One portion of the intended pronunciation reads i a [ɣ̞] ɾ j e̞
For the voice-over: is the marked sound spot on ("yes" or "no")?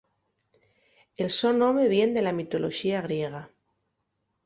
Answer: yes